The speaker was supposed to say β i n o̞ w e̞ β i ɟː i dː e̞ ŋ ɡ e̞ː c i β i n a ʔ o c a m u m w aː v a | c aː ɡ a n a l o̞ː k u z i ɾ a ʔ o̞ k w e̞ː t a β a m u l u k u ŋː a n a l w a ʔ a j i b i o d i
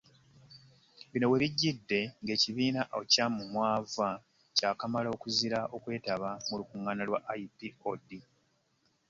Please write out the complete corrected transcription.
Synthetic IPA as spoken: β i n o̞ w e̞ β i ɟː i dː e̞ ŋ ɡ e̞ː c i β iː n a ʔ o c a m u m w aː v a | c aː k a m a l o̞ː k u z i ɾ a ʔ o̞ k w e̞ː t a β a m u l u k u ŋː a n a l w a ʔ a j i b i o d i